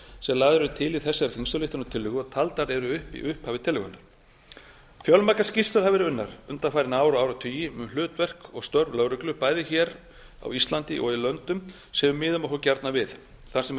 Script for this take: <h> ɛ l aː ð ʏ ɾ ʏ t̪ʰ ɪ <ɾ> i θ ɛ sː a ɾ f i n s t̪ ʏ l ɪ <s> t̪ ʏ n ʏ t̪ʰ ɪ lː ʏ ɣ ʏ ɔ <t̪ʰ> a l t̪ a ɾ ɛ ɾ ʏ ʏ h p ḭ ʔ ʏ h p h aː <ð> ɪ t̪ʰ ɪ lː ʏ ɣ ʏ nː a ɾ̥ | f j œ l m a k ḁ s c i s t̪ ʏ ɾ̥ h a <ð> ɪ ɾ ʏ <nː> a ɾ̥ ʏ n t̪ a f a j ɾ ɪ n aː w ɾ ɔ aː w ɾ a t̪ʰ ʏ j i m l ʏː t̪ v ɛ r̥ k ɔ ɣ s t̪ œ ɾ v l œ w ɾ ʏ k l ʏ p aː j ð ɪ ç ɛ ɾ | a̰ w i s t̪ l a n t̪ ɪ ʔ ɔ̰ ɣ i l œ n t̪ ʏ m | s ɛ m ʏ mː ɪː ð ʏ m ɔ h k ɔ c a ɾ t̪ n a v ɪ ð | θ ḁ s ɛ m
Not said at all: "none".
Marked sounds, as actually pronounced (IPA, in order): s, l, h, t̪ʰ, v, v, nː

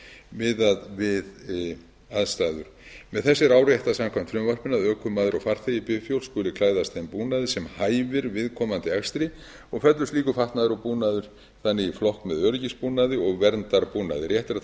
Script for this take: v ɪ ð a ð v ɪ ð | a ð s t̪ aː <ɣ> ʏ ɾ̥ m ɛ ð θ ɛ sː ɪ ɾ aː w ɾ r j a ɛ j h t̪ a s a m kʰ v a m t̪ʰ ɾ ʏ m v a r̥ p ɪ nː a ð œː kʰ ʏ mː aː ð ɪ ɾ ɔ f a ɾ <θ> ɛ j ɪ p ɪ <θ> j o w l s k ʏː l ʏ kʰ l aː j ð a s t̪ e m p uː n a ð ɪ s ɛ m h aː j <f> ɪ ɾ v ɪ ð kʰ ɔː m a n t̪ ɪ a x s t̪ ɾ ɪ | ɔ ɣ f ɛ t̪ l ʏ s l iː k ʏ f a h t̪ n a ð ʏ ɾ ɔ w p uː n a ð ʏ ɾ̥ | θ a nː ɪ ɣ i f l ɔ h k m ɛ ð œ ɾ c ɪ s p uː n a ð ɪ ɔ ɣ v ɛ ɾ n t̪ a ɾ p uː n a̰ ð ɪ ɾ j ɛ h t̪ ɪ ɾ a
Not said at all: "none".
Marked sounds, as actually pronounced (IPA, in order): ð, θ, f, v

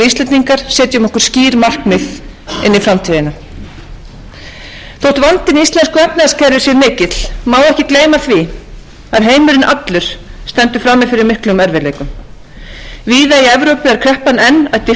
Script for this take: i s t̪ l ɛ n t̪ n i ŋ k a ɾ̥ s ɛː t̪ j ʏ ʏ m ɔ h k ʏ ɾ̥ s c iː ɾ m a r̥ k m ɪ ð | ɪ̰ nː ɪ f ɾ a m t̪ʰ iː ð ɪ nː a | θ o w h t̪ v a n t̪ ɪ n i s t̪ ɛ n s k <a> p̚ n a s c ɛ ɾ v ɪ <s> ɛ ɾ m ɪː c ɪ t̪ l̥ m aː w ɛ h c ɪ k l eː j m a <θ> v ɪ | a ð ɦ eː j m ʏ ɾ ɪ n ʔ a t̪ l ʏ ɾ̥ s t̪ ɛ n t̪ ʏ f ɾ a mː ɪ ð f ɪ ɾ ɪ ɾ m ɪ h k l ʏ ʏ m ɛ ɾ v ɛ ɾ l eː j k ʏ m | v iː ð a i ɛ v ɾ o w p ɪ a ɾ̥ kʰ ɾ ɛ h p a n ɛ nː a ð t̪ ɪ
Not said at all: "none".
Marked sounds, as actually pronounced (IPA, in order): ɛ, s, θ

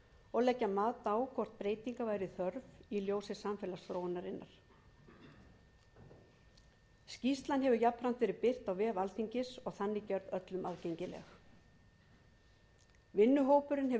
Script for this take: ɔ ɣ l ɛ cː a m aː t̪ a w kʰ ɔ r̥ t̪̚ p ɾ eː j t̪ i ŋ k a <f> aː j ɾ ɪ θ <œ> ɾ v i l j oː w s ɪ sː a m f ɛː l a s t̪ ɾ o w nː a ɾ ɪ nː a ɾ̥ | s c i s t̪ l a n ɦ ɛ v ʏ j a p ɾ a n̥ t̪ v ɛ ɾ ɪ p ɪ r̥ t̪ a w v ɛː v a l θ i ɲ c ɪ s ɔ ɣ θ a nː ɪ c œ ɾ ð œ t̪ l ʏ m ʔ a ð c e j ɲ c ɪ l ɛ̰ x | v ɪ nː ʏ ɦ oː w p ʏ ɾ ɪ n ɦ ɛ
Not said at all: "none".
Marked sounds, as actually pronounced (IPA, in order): v, œ

